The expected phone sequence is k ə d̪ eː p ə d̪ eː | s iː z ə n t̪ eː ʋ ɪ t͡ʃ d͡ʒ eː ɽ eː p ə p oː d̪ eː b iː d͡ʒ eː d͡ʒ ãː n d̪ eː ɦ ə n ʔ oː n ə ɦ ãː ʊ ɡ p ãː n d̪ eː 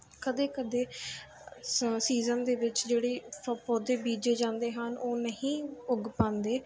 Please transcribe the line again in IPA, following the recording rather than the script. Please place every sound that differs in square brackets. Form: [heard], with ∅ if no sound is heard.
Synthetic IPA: k ə d̪ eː [k] ə d̪ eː | s iː z ə n [d̪] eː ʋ ɪ t͡ʃ d͡ʒ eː ɽ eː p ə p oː d̪ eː b iː d͡ʒ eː d͡ʒ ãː n d̪ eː ɦ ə n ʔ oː n ə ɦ [ĩː] ʊ ɡ p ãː n d̪ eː